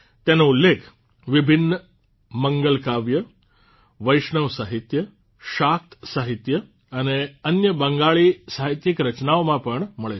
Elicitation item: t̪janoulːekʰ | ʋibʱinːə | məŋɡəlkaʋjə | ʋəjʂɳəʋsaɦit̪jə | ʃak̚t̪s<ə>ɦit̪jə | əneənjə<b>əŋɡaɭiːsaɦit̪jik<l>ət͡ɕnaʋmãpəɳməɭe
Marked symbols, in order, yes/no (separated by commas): no, yes, no